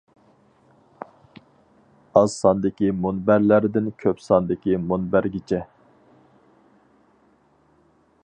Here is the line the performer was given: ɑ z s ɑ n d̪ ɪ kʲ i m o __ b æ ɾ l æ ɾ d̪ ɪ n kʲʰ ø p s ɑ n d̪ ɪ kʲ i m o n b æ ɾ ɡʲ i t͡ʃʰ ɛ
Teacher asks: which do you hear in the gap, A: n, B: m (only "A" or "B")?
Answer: A